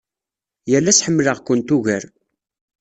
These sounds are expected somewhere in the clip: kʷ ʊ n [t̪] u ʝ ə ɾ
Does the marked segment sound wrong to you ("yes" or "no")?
no